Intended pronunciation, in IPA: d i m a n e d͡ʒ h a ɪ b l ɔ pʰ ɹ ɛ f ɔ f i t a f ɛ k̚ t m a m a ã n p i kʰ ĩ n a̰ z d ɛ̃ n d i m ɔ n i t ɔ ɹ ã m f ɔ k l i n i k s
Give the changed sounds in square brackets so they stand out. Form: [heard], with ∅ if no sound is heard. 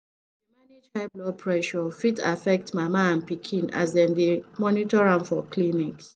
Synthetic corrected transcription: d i m a n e d͡ʒ h a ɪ b l ɔ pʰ ɹ ɛ [ʃ] ɔ f i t a f ɛ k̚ t m a m a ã n p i kʰ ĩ n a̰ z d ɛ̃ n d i m ɔ n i t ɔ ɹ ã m f ɔ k l i n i k s